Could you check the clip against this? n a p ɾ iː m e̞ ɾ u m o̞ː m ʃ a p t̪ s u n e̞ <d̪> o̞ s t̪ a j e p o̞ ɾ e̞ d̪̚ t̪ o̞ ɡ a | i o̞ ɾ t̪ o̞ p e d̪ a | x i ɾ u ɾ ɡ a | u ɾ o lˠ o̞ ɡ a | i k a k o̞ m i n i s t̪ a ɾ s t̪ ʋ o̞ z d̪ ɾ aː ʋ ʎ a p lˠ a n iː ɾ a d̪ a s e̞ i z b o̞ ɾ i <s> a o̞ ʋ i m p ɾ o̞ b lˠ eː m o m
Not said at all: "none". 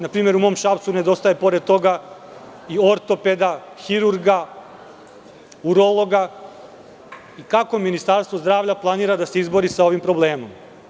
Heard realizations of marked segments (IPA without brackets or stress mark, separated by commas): d̪, s